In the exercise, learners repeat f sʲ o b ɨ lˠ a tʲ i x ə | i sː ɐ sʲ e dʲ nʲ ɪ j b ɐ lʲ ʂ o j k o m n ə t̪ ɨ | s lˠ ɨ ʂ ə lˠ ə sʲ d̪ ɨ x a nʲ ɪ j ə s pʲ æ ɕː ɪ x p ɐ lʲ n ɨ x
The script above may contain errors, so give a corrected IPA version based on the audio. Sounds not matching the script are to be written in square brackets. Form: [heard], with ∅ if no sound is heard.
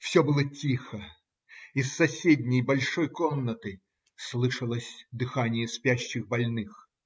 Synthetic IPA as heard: f sʲ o b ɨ lˠ [ə] tʲ i x ə | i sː ɐ sʲ e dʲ nʲ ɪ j b ɐ lʲ ʂ o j k o m n ə t̪ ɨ | s lˠ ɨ ʂ ə lˠ ə sʲ d̪ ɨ x a nʲ ɪ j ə s pʲ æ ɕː ɪ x [b] ɐ lʲ n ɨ x